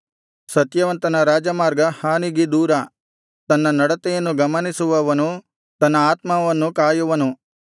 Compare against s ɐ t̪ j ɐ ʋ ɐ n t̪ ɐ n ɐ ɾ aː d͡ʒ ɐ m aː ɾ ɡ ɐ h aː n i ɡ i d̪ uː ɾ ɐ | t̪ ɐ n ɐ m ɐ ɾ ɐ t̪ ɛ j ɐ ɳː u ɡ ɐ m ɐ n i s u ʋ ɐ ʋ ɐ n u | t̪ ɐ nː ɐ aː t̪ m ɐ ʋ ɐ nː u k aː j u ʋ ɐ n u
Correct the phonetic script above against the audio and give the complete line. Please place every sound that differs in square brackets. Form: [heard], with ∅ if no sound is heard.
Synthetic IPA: s ɐ t̪ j ɐ ʋ ɐ n t̪ ɐ n ɐ ɾ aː d͡ʒ ɐ m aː ɾ ɡ ɐ h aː n i ɡ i d̪ uː ɾ ɐ | t̪ ɐ [nː] ɐ [n] ɐ [ɽ] ɐ t̪ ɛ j ɐ [nː] u ɡ ɐ m ɐ n i s u ʋ ɐ ʋ ɐ n u | t̪ ɐ nː ɐ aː t̪ m ɐ ʋ ɐ nː u k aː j u ʋ ɐ n u